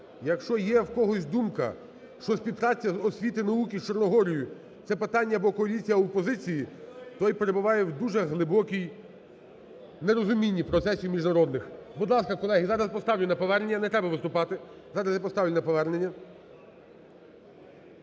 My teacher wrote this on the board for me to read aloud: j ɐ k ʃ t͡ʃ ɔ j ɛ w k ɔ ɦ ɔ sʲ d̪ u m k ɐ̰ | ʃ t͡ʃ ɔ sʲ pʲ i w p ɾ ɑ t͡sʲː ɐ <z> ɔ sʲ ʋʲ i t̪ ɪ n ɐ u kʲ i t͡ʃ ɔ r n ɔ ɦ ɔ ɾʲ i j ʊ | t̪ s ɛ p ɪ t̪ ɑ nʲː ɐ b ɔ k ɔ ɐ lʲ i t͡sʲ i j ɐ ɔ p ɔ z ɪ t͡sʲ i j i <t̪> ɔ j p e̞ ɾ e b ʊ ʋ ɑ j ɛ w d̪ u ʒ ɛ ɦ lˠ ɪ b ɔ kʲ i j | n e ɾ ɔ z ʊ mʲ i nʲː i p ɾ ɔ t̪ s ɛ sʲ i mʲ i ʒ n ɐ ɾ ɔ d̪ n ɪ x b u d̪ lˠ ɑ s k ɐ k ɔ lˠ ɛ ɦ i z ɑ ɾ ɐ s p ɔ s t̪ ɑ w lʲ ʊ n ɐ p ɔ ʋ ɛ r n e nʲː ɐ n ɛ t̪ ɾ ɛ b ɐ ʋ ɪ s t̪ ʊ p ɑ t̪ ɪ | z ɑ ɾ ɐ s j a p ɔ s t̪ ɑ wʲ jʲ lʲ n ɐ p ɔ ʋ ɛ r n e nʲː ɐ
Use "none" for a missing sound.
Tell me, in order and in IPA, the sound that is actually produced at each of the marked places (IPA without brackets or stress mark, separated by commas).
z, t̪